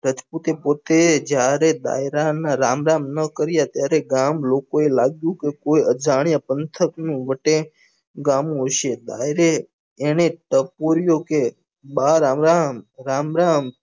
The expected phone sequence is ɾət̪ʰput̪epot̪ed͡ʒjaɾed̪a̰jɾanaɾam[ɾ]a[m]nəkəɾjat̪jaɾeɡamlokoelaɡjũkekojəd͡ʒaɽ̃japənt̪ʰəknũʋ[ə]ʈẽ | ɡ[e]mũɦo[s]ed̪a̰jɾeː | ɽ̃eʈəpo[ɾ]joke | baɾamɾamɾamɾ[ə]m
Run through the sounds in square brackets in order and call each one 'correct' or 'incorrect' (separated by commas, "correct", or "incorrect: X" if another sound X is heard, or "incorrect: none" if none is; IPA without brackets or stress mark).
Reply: correct, correct, correct, incorrect: a, incorrect: ʃ, correct, incorrect: a